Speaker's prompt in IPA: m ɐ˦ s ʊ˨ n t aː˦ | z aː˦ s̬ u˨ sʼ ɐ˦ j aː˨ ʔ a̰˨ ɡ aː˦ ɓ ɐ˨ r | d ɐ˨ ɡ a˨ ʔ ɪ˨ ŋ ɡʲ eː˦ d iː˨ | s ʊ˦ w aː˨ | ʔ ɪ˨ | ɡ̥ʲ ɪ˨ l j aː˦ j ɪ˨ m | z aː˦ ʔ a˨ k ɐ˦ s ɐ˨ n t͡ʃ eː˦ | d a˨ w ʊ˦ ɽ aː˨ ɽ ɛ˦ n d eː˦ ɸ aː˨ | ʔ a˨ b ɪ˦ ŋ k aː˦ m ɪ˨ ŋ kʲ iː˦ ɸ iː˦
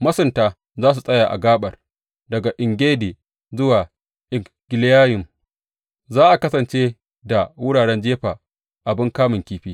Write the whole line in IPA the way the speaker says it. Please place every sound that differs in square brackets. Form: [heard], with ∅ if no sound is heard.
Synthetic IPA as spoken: m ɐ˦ s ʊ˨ n t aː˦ | z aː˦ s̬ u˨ sʼ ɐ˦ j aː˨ ʔ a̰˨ ɡ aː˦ ɓ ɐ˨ r | d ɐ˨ ɡ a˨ ʔ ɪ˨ ŋ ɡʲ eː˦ d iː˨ | [z] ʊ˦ w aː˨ | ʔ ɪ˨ | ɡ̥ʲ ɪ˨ l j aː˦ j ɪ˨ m | z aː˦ ʔ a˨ k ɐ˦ s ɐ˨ n t͡ʃ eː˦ | d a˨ w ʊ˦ ɽ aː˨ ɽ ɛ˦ n [d͡ʒ] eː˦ ɸ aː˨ | ʔ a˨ b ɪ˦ ŋ k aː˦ m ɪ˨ ŋ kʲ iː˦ ɸ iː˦